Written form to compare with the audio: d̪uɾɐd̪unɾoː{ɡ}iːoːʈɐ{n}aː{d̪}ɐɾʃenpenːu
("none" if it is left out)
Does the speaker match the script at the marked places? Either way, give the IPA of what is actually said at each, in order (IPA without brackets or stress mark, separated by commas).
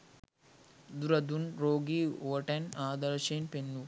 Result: ɡ, n, d̪